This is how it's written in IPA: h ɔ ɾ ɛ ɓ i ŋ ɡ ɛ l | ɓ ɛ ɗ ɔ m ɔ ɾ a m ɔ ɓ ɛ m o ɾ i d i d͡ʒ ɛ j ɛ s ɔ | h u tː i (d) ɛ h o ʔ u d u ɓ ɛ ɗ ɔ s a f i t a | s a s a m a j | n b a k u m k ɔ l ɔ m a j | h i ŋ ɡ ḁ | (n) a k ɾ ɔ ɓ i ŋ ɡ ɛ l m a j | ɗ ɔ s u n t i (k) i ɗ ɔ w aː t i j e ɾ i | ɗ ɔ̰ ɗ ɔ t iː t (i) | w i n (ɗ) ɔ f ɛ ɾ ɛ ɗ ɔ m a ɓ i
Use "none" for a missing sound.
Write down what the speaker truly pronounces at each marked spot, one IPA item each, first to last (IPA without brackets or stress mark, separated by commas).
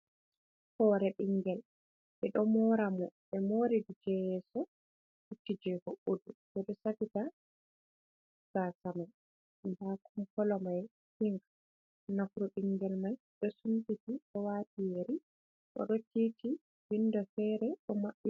d͡ʒ, n, t, i, d